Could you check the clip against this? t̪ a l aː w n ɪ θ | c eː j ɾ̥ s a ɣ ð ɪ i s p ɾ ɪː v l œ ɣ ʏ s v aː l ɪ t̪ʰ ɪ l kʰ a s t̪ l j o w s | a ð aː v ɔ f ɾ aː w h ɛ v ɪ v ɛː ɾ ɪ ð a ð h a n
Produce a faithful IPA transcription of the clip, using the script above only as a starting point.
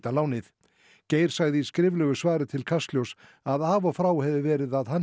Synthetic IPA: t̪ a l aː w n ɪ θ | c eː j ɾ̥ s a ɣ ð ɪ i s k ɾ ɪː v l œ ɣ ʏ s v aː ɾ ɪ t̪ʰ ɪ l kʰ a s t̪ l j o w s | a ð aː v ɔ f ɾ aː w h ɛ v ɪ v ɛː ɾ ɪ ð a ð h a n